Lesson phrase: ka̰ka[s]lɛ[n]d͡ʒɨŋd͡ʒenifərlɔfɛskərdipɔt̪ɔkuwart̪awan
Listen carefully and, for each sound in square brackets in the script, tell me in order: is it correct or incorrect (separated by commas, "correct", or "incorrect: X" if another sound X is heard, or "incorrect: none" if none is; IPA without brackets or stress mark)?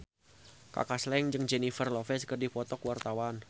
correct, incorrect: ŋ